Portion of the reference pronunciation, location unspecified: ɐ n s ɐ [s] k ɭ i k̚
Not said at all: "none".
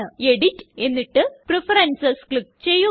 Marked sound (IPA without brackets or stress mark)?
s